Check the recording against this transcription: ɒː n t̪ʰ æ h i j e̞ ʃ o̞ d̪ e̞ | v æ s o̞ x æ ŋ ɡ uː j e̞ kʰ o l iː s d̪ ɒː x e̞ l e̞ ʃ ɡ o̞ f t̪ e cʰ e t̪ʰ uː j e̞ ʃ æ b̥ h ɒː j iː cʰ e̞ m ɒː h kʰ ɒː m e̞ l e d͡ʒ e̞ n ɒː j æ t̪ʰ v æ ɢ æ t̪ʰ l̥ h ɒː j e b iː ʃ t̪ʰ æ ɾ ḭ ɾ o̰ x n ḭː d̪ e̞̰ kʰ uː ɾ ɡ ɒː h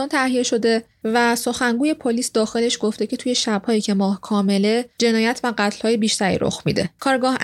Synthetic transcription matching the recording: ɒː n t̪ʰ æ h i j e̞ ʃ o̞ d̪ e̞ | v æ s o̞ x æ ŋ ɡ uː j e̞ pʰ o l iː s d̪ ɒː x e̞ l e̞ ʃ ɡ o̞ f t̪ e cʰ e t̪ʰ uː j e̞ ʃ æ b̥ h ɒː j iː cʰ e̞ m ɒː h kʰ ɒː m e̞ l e d͡ʒ e̞ n ɒː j æ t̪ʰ v æ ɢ æ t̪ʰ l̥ h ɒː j e b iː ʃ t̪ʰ æ ɾ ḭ ɾ o̰ x m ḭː d̪ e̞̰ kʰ ɒː ɾ ɡ ɒː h